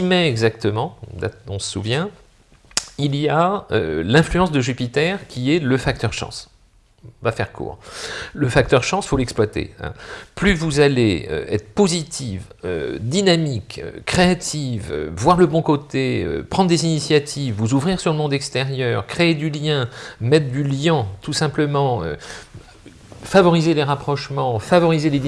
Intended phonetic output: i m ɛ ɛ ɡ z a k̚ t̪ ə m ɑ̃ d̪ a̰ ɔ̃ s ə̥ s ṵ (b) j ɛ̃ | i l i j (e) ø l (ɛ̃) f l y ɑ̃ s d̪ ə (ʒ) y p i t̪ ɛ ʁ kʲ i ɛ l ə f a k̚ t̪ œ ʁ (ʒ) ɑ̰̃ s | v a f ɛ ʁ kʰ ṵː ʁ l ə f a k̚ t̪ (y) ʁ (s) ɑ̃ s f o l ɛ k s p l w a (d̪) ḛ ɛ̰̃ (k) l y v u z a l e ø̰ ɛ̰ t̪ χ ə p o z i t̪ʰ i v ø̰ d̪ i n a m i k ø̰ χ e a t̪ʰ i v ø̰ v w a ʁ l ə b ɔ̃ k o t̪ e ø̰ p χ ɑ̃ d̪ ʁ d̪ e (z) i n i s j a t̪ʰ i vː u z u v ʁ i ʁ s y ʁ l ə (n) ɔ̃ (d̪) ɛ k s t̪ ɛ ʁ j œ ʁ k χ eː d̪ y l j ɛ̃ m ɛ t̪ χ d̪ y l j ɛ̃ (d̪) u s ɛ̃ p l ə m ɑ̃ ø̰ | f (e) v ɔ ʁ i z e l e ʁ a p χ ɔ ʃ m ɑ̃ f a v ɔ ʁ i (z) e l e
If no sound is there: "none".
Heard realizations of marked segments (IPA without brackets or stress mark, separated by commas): v, a, ɛ̃, ʒ, ʃ, œ, ʃ, t̪, p, z, m, d̪, t̪, a, z